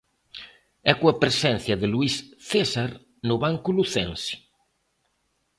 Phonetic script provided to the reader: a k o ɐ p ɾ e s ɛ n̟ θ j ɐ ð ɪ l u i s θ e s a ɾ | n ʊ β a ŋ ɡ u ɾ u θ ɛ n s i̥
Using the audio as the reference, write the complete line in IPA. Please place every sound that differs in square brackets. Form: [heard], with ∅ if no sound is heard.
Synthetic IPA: [ɛ] k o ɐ p ɾ e s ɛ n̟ θ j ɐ ð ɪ l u i s θ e s a ɾ | n ʊ β a ŋ [k] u [l] u θ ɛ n s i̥